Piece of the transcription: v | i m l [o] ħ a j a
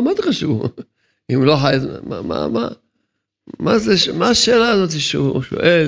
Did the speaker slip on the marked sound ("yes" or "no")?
no